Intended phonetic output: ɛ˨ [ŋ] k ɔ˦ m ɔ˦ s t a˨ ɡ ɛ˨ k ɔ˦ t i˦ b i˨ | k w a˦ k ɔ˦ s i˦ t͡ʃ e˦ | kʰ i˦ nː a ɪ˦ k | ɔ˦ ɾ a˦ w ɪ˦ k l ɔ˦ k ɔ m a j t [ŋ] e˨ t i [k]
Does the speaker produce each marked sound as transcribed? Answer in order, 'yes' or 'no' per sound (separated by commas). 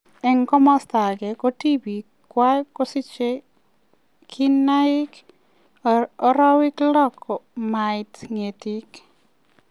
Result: yes, yes, yes